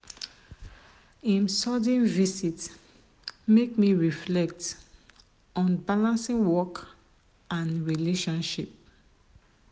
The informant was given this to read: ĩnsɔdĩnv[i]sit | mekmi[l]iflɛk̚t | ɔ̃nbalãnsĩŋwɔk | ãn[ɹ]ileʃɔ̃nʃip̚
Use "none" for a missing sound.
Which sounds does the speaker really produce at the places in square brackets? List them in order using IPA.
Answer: i, ɹ, ɹ

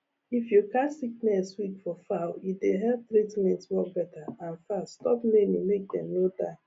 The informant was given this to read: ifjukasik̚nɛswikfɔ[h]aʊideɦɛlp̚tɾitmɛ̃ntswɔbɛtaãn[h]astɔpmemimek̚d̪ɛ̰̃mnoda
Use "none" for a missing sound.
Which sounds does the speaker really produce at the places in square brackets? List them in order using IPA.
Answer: f, f

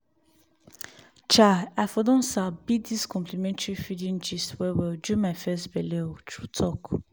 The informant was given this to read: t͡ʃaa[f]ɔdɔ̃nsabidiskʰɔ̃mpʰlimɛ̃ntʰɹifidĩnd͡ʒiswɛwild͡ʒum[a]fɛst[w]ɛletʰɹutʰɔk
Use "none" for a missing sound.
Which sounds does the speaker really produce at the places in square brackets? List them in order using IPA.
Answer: f, a, b

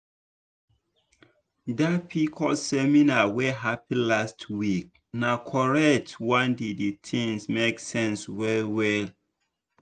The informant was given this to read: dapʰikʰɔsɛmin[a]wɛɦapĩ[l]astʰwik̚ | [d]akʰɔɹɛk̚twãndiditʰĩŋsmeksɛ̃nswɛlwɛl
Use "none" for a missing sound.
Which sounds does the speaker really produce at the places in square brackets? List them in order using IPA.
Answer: a, l, n

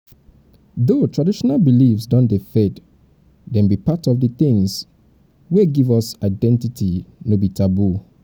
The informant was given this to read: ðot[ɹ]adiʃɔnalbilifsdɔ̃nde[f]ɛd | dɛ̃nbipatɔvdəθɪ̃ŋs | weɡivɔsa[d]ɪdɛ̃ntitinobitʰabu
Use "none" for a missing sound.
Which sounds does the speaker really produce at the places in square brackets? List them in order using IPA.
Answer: ɹ, f, none

